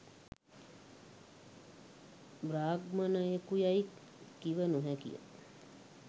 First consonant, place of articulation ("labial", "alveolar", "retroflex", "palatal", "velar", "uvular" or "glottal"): labial